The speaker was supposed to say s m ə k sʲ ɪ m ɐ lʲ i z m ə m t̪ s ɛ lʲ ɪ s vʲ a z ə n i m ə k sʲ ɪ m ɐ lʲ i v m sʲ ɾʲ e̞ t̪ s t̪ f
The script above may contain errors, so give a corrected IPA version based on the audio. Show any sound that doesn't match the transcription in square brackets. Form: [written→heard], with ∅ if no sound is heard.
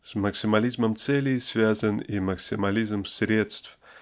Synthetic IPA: s m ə k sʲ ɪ m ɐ lʲ i z m ə m t̪ s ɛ lʲ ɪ s vʲ a z ə n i m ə k sʲ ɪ m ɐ lʲ i [v→z] m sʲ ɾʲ e̞ t̪ s t̪ f